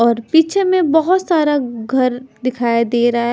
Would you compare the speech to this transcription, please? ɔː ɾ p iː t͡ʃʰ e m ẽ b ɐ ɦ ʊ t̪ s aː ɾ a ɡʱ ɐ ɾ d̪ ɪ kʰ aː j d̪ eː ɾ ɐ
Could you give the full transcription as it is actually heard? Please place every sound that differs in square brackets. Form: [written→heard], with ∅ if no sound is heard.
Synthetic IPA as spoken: ɔː ɾ p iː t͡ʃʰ e m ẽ b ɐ ɦ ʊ t̪ s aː ɾ a ɡʱ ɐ ɾ d̪ ɪ kʰ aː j d̪ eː ɾ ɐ